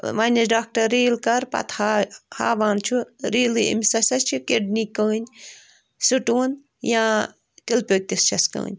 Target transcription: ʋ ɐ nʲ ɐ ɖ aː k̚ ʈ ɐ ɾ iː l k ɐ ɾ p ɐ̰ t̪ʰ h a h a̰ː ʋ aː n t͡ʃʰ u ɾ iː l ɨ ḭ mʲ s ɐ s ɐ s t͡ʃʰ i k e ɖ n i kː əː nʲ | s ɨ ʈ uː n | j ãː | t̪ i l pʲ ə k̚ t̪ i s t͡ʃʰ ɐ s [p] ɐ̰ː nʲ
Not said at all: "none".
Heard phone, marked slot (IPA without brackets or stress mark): k